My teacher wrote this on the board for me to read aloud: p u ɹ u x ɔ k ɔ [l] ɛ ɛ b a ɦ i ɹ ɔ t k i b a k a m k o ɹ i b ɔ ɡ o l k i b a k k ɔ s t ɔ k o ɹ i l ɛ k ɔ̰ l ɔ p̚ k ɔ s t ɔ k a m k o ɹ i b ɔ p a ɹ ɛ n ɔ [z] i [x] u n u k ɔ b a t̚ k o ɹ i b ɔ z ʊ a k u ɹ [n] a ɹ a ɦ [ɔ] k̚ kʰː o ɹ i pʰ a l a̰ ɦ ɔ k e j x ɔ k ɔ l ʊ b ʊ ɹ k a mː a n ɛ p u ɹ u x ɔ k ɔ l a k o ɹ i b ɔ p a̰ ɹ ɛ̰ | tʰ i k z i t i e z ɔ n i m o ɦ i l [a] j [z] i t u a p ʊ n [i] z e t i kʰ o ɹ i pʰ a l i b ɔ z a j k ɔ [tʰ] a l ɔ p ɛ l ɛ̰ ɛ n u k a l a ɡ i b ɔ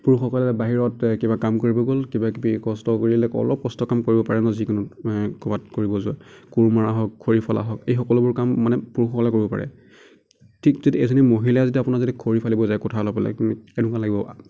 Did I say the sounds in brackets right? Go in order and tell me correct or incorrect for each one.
correct, correct, incorrect: k, incorrect: m, correct, correct, correct, incorrect: a, correct

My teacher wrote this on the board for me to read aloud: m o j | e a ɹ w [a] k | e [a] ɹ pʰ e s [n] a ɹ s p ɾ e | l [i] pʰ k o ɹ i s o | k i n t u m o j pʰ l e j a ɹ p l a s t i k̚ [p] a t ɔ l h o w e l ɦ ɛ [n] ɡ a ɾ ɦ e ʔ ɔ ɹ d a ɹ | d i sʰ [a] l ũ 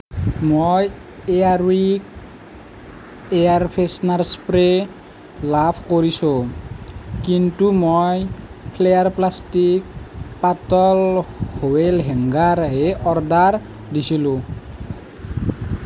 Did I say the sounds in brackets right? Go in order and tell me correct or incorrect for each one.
incorrect: i, correct, correct, incorrect: a, correct, incorrect: ŋ, incorrect: i

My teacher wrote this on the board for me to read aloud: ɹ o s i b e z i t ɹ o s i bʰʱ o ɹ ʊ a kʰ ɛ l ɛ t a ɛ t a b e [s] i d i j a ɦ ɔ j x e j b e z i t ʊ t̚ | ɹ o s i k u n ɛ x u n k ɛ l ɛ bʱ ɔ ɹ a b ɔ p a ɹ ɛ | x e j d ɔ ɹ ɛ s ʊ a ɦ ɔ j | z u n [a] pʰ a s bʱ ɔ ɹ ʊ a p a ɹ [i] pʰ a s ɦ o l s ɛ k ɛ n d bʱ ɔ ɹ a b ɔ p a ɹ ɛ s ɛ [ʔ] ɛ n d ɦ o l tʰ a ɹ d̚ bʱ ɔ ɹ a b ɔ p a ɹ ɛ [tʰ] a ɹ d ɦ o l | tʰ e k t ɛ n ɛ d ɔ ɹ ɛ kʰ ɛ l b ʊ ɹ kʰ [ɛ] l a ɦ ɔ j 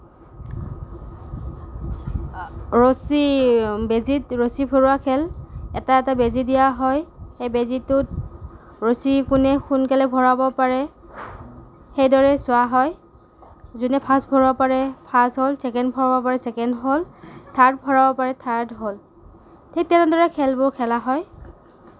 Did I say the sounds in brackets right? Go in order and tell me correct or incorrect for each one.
incorrect: z, incorrect: ɛ, incorrect: ɛ, incorrect: k, correct, correct

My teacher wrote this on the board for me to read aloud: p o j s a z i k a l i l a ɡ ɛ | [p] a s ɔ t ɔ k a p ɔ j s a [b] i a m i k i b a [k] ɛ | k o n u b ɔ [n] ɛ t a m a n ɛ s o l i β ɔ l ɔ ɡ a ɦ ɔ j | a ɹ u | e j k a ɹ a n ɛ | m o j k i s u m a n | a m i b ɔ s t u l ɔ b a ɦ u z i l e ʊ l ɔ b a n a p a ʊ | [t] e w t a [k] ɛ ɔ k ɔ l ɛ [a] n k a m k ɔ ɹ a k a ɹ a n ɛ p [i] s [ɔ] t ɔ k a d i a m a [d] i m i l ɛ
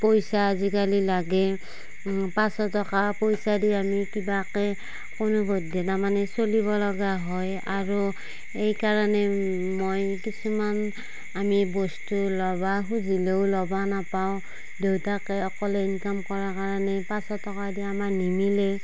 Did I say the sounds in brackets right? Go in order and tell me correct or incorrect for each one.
correct, incorrect: d, correct, incorrect: d, incorrect: d, correct, incorrect: i, incorrect: a, correct, incorrect: n

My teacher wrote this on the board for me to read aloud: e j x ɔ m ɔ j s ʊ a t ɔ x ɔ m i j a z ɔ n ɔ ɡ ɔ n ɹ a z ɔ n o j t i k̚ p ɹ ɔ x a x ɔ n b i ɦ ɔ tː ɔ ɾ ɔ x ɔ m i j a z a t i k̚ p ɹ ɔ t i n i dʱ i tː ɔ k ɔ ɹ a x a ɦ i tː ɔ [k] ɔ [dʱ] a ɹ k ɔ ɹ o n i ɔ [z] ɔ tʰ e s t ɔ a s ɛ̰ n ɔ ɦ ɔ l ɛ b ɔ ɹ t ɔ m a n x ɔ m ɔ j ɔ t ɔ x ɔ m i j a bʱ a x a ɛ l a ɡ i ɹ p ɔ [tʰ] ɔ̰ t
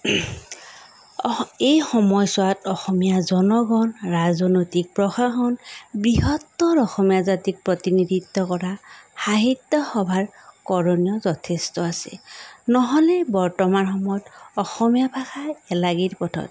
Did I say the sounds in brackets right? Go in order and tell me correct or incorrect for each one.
incorrect: x, incorrect: bʱ, correct, correct

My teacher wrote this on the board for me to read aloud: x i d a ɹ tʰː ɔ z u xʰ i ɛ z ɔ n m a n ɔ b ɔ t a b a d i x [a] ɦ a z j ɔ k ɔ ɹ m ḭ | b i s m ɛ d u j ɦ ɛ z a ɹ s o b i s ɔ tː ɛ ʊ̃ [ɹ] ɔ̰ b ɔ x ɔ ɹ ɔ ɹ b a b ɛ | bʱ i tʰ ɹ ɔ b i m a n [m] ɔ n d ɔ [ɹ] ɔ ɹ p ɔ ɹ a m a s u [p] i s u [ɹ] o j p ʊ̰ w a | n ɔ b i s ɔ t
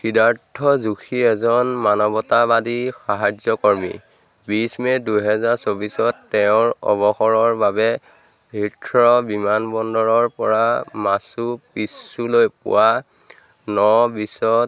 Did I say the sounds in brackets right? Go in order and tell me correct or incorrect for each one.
correct, correct, incorrect: b, correct, correct, incorrect: l

